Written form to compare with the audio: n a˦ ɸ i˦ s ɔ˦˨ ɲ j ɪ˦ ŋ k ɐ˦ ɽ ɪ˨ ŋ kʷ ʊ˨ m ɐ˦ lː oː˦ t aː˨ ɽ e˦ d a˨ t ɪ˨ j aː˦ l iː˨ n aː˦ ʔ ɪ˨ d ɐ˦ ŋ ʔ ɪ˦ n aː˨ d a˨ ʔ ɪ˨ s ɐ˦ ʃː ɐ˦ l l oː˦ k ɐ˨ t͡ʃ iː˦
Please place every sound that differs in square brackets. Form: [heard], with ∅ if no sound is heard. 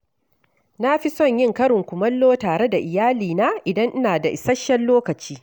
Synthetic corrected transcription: n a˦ ɸ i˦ s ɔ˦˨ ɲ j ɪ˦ ŋ k ɐ˦ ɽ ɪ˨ ŋ kʷ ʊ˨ m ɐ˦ lː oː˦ t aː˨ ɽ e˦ d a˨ [ʔ] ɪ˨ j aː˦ l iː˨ n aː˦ ʔ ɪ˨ d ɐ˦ ŋ ʔ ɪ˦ n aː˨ d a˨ ʔ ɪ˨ s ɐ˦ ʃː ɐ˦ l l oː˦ k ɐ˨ t͡ʃ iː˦